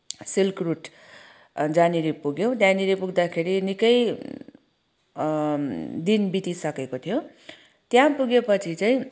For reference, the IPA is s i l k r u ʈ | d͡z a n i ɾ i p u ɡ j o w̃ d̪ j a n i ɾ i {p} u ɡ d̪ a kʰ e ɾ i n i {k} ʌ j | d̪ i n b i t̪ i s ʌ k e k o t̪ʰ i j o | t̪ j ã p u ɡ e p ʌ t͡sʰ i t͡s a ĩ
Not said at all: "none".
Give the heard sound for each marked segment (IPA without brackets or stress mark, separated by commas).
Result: p, k